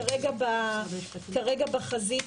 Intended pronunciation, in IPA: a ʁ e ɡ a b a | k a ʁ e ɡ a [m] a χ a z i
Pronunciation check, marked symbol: incorrect: b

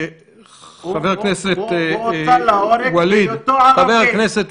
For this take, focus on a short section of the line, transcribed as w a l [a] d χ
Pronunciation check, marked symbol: incorrect: i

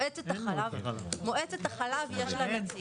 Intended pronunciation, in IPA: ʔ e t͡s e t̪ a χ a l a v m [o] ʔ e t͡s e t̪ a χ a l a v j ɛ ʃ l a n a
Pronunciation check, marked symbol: correct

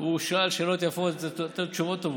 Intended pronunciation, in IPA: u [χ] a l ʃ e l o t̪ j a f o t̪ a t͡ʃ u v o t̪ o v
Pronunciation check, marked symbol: incorrect: ʃ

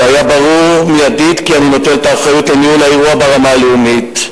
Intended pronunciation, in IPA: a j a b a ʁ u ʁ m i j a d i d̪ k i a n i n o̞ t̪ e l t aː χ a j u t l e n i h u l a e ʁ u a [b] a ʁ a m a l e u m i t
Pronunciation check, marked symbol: correct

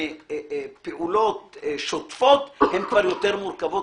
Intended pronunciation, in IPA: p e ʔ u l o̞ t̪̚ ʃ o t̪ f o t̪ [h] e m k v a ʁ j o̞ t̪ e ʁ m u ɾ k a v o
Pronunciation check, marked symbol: correct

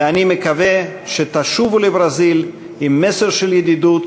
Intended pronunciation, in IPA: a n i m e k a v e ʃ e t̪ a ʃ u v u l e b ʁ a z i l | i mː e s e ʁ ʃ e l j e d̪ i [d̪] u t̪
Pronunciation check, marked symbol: correct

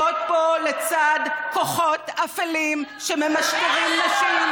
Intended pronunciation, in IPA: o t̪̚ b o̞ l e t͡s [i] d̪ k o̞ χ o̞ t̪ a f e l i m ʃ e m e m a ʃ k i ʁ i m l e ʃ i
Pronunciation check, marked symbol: incorrect: a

